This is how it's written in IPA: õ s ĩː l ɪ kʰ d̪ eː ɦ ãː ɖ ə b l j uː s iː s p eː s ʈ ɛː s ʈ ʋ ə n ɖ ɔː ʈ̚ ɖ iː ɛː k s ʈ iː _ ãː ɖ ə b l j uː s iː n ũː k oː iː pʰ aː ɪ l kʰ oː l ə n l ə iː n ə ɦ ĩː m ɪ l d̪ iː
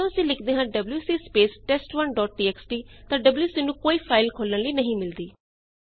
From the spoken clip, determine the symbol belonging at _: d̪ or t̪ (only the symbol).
t̪